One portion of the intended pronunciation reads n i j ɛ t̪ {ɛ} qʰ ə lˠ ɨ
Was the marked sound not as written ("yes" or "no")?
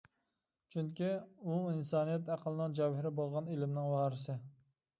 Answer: yes